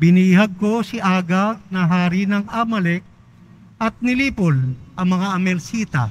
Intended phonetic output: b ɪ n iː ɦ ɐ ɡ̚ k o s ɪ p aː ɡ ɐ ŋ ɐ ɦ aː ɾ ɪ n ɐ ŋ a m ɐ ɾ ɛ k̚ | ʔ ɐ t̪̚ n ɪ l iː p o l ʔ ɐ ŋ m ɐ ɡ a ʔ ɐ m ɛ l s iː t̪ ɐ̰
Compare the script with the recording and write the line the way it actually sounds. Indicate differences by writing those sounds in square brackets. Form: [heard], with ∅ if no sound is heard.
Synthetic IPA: b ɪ n iː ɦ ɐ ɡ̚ k o s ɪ [ʔ] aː ɡ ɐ [n] ɐ ɦ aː ɾ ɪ n ɐ ŋ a m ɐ [l] ɛ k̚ | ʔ ɐ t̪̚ n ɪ l iː p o l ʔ ɐ ŋ m ɐ [ŋ] a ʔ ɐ m ɛ l s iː t̪ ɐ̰